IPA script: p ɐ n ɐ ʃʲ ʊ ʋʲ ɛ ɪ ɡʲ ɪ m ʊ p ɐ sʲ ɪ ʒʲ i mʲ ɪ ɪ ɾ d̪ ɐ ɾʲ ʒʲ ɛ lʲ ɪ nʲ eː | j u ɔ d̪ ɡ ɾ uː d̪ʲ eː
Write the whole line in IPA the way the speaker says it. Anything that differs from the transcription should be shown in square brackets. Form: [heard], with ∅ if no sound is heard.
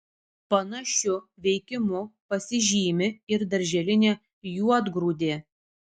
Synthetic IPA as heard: p ɐ n ɐ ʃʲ ʊ ʋʲ ɛ ɪ [kʲ] ɪ m ʊ p ɐ sʲ ɪ ʒʲ [iː] mʲ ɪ ɪ ɾ d̪ ɐ ɾʲ ʒʲ ɛ lʲ ɪ nʲ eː | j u ɔ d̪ ɡ ɾ uː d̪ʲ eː